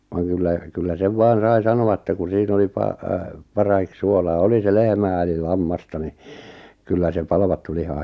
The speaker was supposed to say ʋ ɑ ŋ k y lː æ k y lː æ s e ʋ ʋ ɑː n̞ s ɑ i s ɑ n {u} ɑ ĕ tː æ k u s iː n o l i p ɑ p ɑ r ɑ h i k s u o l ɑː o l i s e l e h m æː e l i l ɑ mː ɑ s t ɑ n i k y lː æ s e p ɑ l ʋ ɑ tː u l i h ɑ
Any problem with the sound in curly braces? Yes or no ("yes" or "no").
yes